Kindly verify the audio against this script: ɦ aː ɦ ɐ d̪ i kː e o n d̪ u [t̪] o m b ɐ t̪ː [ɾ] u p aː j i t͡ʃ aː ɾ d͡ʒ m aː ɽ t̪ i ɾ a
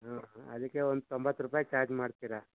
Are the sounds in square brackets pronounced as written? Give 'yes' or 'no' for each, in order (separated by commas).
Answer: yes, yes